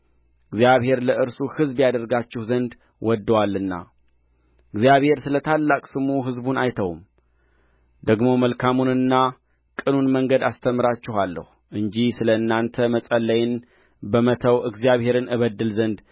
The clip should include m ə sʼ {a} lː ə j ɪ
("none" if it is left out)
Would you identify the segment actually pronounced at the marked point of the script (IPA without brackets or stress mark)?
ə